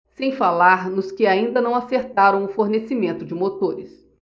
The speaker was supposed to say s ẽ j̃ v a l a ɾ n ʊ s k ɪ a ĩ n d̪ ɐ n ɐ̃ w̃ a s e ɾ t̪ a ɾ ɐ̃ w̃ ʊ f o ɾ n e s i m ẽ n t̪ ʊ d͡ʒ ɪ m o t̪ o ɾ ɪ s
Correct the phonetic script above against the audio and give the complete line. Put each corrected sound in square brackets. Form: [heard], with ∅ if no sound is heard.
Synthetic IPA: s ẽ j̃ [f] a l a ɾ n ʊ s k ɪ a ĩ n d̪ ɐ n ɐ̃ w̃ a s e ɾ t̪ a ɾ ɐ̃ w̃ ʊ f o ɾ n e s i m ẽ n t̪ ʊ d͡ʒ ɪ m o t̪ o ɾ ɪ s